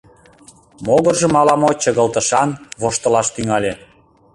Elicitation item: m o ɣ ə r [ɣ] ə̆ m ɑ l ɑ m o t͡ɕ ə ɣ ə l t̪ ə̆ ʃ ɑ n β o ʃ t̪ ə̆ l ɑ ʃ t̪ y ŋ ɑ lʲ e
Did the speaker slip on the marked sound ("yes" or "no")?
yes